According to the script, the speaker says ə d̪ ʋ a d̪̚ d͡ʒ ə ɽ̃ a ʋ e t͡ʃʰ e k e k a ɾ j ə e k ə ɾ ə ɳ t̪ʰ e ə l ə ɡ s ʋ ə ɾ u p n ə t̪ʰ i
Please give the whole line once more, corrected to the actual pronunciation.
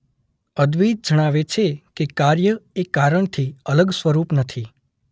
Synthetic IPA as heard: ə d̪ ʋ i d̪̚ d͡ʒ ə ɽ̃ a ʋ e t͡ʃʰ e k e k a ɾ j ə e k a ɾ ə ɳ t̪ʰ i ə l ə ɡ s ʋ ə ɾ u p n ə t̪ʰ i